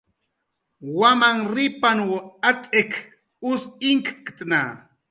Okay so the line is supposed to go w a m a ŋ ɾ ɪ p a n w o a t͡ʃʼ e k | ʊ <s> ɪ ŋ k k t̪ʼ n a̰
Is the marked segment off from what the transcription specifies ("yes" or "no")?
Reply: no